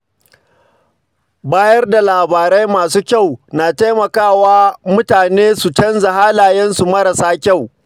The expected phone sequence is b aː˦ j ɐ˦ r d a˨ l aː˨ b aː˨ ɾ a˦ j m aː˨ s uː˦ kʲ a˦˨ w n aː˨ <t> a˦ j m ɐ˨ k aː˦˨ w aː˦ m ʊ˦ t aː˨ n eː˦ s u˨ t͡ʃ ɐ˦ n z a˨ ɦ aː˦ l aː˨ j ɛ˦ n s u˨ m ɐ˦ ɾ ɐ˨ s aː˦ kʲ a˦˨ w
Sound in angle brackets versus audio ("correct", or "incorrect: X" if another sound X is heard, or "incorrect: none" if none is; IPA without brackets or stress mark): correct